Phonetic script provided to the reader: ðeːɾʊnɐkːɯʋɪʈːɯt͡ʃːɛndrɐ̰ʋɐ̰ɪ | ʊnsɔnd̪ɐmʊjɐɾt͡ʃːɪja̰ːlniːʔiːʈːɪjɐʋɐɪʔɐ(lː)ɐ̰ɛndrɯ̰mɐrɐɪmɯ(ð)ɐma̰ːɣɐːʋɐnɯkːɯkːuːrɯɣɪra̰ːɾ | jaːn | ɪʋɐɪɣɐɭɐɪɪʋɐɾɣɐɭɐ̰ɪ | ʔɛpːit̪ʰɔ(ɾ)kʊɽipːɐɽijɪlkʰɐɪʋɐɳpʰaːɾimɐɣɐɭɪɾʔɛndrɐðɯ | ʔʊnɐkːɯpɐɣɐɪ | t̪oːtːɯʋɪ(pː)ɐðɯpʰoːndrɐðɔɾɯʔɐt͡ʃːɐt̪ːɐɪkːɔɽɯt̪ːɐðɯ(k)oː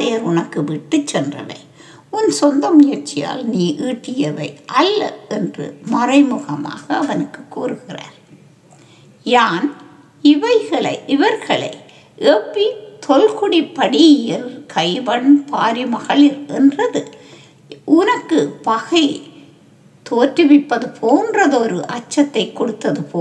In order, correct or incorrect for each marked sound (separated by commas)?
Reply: correct, incorrect, incorrect, correct, incorrect